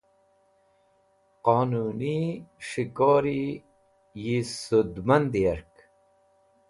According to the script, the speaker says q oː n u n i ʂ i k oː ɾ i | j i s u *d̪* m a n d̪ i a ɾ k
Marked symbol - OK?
yes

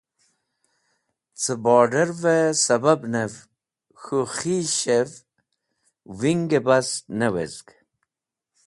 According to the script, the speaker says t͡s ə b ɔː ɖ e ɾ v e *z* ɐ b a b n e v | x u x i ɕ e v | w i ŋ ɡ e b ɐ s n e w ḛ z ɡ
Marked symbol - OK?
no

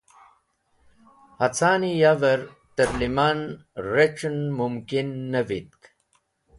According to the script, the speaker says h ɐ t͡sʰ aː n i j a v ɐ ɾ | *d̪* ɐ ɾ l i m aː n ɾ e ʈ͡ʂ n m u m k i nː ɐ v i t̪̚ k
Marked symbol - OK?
no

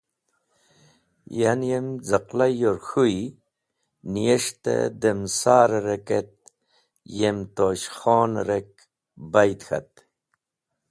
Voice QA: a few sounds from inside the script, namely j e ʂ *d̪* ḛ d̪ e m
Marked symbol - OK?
no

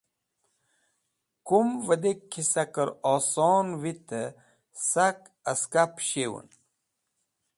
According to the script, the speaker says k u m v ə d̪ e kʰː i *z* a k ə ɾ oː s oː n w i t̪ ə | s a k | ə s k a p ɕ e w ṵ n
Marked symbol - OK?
no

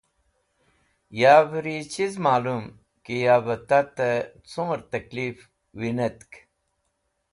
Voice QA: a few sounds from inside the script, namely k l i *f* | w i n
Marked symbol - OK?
yes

